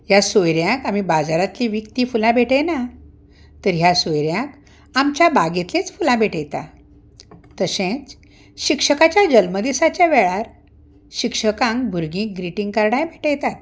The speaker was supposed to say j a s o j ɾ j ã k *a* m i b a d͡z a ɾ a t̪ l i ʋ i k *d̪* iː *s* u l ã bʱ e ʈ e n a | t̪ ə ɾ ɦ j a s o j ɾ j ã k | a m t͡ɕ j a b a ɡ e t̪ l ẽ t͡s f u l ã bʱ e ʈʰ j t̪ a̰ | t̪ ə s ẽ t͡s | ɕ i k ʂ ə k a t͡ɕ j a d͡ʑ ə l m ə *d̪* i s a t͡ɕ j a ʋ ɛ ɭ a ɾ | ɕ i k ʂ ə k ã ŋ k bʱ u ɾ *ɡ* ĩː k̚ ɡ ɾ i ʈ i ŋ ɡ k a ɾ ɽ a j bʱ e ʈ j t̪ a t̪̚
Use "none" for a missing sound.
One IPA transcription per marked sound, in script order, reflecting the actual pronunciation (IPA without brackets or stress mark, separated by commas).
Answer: a, t̪, f, d̪, ɡ